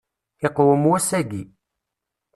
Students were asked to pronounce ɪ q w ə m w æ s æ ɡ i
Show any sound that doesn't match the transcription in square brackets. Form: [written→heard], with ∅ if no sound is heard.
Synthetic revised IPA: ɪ q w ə m w æ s æ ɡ i